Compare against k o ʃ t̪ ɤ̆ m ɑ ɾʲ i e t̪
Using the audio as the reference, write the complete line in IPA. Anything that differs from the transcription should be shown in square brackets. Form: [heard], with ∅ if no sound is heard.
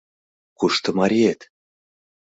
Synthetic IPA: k [u] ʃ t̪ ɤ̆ m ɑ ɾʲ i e t̪